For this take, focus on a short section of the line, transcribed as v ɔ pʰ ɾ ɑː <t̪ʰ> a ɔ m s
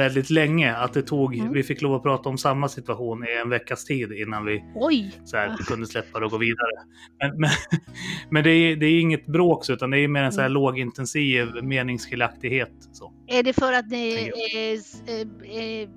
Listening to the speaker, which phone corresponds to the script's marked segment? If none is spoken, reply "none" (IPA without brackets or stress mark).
t̪